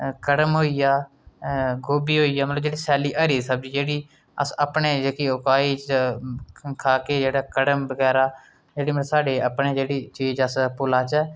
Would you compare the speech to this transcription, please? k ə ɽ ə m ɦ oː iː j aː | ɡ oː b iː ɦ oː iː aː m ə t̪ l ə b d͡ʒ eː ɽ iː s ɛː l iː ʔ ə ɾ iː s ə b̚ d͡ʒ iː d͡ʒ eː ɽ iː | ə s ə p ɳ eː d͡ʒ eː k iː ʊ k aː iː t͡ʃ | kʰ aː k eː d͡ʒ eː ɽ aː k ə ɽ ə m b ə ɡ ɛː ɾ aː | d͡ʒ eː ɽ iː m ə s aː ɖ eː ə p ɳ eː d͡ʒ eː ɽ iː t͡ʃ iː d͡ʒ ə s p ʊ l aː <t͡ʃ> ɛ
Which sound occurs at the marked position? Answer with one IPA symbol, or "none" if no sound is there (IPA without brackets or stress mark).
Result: t͡ʃ